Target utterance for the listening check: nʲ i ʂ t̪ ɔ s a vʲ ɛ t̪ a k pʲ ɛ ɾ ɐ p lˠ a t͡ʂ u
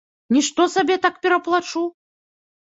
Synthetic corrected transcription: nʲ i ʂ t̪ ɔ s a bʲ ɛ t̪ a k pʲ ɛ ɾ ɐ p lˠ a t͡ʂ u